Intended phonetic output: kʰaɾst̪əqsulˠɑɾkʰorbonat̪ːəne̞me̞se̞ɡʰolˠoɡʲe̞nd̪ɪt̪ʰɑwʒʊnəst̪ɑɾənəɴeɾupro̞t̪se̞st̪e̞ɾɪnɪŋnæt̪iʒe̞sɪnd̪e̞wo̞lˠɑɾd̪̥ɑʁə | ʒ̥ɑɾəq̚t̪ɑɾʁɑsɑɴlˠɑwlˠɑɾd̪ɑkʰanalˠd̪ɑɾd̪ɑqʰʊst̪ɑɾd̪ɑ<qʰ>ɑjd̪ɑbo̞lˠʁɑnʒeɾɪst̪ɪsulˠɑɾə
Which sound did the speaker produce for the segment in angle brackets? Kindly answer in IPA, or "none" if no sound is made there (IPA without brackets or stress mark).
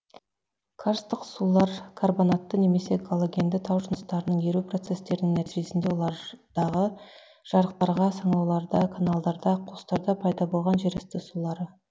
pʰ